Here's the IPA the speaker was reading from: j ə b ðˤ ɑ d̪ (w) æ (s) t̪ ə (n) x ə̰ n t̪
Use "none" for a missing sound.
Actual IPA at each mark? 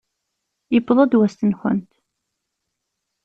w, s, n

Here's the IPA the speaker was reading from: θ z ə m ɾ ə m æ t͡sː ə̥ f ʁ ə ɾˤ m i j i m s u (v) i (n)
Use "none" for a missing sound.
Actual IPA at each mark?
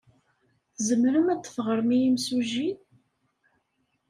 ʒ, n

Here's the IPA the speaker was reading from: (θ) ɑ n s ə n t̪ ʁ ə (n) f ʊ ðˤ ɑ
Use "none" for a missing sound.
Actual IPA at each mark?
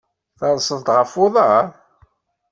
θ, none

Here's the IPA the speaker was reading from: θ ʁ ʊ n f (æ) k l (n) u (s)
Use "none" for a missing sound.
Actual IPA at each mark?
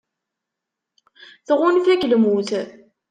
æ, m, θ

